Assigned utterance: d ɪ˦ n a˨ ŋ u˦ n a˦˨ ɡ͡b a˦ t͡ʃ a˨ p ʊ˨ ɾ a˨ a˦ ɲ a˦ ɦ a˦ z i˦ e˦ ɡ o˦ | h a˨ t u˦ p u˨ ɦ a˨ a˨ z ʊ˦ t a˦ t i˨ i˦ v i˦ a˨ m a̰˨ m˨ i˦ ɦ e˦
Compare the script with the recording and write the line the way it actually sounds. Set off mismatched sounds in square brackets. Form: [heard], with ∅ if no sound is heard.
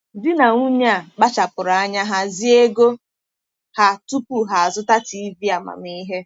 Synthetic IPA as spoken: d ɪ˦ n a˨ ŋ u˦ [ɲ] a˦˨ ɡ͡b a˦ t͡ʃ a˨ p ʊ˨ ɾ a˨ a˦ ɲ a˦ ɦ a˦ z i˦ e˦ ɡ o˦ | h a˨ t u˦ p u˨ ɦ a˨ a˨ z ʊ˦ t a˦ t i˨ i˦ v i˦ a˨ m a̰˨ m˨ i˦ ɦ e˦